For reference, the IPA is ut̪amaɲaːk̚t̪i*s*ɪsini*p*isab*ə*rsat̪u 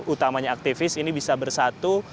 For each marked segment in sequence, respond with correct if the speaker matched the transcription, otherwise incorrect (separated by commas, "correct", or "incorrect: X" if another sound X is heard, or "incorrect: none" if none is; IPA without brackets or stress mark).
incorrect: f, incorrect: b, correct